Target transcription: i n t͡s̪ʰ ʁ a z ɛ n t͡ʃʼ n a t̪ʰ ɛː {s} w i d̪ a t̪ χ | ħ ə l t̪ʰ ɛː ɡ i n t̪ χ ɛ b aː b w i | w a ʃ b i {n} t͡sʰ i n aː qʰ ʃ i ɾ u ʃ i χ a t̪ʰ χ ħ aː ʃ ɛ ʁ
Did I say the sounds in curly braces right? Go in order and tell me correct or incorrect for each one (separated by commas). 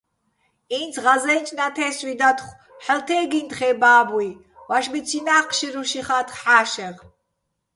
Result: correct, incorrect